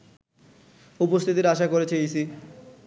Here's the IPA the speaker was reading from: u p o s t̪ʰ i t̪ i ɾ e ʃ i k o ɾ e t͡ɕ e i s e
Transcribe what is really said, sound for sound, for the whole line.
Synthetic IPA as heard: u p o s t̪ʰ i t̪ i ɾ a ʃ a k o ɾ e t͡ɕʰ e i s i